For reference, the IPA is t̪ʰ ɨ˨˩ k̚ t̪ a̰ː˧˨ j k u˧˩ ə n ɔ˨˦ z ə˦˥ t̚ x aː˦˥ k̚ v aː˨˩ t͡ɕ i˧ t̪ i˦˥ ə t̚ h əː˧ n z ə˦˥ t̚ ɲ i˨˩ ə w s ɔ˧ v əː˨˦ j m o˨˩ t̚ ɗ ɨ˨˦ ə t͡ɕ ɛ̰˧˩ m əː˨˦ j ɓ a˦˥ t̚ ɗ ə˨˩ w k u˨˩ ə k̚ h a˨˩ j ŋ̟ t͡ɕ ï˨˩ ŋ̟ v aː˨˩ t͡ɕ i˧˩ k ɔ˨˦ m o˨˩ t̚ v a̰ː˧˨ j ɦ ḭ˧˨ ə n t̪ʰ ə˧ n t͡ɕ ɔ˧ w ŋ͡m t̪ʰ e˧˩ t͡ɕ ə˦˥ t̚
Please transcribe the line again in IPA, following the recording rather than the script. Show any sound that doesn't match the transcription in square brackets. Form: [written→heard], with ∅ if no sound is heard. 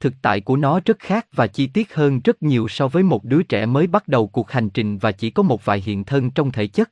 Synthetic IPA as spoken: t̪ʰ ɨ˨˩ k̚ t̪ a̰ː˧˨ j k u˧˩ ə n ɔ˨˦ z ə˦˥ t̚ x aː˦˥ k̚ v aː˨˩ t͡ɕ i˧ t̪ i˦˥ ə t̚ h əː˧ n z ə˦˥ t̚ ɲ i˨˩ ə w s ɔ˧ v əː˨˦ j m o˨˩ t̚ ɗ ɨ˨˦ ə t͡ɕ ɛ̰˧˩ m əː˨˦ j ɓ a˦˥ t̚ ɗ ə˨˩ w k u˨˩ ə k̚ h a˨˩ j ŋ̟ t͡ɕ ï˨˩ ŋ̟ v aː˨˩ t͡ɕ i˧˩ k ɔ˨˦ m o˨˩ t̚ v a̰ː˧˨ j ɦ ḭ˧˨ ə n t̪ʰ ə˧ n t͡ɕ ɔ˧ w ŋ͡m t̪ʰ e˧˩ t͡ɕ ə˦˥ t̚